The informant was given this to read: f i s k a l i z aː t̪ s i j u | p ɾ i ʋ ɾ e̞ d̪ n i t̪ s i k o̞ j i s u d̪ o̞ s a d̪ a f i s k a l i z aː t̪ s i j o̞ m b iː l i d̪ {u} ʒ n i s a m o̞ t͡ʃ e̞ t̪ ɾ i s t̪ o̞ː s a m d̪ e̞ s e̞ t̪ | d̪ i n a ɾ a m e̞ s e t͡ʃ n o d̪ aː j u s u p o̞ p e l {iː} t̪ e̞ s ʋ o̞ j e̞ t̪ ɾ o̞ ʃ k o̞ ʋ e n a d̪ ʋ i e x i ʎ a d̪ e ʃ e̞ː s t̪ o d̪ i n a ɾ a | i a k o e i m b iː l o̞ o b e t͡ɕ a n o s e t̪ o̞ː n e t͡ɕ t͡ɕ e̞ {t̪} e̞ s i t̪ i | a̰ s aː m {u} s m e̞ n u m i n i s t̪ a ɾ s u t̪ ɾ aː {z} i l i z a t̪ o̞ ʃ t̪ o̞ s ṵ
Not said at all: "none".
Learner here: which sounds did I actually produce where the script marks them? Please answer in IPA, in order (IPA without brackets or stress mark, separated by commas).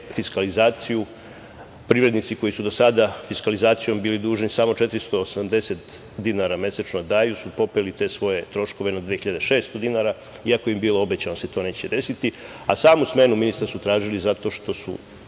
uː, i, d̪, u, ʒ